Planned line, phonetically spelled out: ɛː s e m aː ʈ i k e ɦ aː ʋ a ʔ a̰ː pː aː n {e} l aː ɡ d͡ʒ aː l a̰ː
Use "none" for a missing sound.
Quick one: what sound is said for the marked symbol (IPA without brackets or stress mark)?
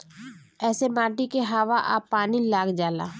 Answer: i